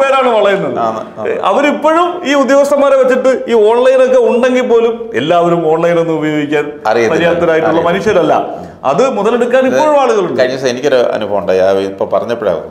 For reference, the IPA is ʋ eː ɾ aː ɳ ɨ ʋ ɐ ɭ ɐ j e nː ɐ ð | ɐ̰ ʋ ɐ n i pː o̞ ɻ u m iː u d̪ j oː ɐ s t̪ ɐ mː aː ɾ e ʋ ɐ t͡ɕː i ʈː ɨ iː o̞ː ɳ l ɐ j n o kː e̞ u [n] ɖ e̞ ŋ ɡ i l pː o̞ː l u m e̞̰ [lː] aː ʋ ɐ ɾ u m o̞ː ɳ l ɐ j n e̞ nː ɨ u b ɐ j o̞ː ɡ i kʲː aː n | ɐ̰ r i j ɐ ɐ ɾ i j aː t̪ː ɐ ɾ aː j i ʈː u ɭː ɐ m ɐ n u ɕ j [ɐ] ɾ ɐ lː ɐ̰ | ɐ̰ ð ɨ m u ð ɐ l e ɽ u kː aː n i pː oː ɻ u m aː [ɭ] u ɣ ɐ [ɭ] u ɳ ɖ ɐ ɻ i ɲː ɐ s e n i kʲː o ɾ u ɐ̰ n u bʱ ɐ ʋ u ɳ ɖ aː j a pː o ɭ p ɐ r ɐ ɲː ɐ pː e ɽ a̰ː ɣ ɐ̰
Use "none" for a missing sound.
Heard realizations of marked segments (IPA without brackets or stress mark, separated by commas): ɳ, lː, ɐ, ɭ, ɭ